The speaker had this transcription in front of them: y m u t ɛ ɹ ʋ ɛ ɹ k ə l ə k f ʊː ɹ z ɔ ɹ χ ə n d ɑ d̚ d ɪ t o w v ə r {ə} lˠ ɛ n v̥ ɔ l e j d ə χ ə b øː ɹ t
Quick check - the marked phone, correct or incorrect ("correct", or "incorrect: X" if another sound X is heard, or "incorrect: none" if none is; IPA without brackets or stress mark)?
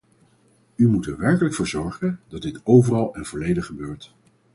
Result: incorrect: ɑ